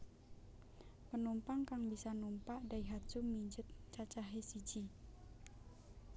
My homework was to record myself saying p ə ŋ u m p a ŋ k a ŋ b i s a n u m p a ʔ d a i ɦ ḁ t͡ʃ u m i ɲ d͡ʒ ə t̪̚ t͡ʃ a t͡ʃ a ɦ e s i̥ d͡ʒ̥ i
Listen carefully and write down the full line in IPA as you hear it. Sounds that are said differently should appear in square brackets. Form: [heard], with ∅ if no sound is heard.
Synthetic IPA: p ə [n] u m p a ŋ k a ŋ b i s a n u m p a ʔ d a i ɦ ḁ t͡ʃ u m i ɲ d͡ʒ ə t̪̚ t͡ʃ a t͡ʃ a ɦ e s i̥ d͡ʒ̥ i